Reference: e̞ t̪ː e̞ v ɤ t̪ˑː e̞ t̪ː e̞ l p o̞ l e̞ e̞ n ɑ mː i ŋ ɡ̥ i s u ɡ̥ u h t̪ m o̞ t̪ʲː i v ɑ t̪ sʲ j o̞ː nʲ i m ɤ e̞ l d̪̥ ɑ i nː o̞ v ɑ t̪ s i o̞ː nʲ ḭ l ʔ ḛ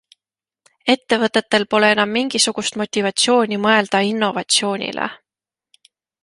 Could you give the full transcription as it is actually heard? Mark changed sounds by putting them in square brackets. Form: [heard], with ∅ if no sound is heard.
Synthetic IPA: e̞ t̪ː e̞ v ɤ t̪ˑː e̞ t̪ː e̞ l p o̞ l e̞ e̞ n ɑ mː i ŋ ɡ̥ i s u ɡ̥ u [s] t̪ m o̞ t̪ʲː i v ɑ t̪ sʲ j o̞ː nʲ i m ɤ e̞ l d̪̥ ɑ i nː o̞ v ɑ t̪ s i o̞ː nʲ ḭ l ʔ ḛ

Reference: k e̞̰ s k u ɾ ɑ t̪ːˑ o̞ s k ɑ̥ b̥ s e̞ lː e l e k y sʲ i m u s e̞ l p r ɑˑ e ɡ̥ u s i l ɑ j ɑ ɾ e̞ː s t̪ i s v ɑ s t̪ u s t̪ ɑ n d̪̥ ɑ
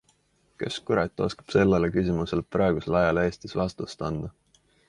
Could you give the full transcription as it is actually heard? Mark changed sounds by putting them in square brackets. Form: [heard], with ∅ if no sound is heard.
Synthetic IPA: k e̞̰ s k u ɾ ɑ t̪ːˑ o̞ s k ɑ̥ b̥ s e̞ lː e l e k y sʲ i m u s e̞ l p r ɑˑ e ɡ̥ u s [e] l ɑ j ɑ [l] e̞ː s t̪ i s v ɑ s t̪ u s t̪ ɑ n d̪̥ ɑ

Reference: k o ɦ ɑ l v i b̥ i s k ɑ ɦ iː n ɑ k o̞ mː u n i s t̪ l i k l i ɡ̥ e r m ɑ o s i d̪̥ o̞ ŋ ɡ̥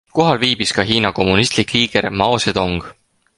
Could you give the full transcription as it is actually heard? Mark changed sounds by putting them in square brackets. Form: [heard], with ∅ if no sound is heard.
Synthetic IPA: k o ɦ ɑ l v [iː] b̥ i s k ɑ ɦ iː n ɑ k o̞ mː u n i s t̪ l i k l [iː] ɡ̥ e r m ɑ o s [e] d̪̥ o̞ ŋ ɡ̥

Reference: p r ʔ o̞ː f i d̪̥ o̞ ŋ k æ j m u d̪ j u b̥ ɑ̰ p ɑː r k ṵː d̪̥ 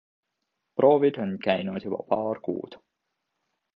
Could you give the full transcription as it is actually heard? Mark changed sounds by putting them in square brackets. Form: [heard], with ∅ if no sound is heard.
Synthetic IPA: p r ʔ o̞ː [v] i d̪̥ o̞ [n] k æ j [n] u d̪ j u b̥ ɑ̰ p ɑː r k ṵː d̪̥

